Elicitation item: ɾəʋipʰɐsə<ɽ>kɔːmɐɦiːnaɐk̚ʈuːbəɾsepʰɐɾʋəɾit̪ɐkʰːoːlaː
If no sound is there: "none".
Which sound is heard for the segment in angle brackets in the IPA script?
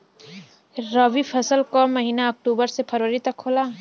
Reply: l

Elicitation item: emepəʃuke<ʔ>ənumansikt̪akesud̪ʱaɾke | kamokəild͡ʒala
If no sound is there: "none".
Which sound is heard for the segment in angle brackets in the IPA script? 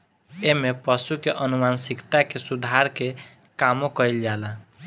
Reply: ʔ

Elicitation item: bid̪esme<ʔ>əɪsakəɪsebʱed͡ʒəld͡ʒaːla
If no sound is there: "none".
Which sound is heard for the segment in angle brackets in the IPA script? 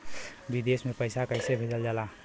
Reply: p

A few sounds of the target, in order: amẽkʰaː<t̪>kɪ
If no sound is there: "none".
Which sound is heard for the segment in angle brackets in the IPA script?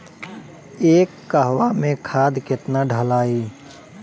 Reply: d̪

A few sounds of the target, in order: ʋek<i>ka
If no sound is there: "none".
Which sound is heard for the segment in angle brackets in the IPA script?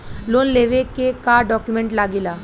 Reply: e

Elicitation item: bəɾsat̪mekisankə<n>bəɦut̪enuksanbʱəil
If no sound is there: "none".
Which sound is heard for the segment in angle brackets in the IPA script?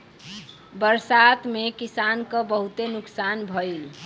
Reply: none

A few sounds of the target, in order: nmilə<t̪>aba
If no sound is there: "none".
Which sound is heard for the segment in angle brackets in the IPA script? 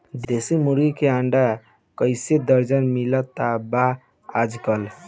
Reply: t̪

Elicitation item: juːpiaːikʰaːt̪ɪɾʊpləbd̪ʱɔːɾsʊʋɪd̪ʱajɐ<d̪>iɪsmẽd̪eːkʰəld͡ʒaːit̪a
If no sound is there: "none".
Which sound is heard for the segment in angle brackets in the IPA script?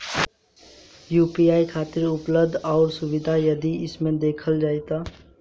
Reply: d̪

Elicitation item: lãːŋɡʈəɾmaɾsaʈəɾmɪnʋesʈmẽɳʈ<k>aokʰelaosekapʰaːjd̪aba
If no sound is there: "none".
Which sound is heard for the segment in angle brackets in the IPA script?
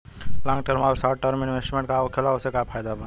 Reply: k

